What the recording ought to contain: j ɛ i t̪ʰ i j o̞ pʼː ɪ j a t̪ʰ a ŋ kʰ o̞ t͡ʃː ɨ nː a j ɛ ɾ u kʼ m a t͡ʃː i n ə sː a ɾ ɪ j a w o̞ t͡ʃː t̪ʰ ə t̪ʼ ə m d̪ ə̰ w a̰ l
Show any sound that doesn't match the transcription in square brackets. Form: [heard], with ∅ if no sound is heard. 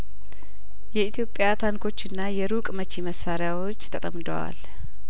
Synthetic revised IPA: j ɛ i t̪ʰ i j o̞ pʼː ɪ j a t̪ʰ a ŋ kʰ o̞ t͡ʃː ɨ nː a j ɛ ɾ u kʼ m [ə] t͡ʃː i [m] ə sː a ɾ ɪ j a w o̞ t͡ʃː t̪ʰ ə t̪ʼ ə m d̪ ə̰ w a̰ l